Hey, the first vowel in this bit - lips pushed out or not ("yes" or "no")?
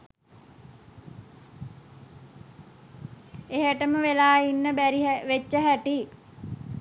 no